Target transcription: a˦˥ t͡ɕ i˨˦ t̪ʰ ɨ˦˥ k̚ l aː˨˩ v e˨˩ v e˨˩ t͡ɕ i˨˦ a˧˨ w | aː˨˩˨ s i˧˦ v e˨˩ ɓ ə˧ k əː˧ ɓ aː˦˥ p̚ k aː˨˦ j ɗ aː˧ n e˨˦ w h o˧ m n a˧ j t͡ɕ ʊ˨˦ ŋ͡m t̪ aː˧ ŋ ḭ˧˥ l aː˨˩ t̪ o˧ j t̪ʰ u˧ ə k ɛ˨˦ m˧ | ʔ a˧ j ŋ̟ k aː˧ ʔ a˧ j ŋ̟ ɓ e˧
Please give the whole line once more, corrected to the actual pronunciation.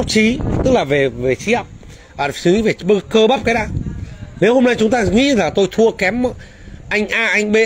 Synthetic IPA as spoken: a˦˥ t͡ɕ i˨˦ t̪ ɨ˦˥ k̚ l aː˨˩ v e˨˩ v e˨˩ t͡ɕ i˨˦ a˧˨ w | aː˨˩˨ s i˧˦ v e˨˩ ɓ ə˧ k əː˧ ɓ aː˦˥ p̚ k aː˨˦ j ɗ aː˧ n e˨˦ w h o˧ m n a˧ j t͡ɕ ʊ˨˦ ŋ͡m t̪ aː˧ ŋ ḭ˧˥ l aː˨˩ t̪ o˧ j t̪ʰ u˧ ə k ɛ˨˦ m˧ | ʔ a˧ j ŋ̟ ʔ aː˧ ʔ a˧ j ŋ̟ ɓ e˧